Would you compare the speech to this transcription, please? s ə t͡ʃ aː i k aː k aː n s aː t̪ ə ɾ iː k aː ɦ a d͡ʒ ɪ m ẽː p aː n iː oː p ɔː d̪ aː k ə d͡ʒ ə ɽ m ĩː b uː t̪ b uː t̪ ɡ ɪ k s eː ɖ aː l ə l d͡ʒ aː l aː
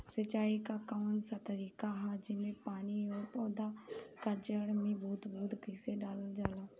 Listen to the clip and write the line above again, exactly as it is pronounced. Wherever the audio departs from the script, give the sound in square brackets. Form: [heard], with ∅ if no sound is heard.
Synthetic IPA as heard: s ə t͡ʃ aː i k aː k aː n s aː t̪ ə ɾ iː k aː ɦ a d͡ʒ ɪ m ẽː p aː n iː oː p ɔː d̪ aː k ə d͡ʒ ə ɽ m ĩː b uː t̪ b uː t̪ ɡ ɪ [∅] s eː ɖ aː l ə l d͡ʒ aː l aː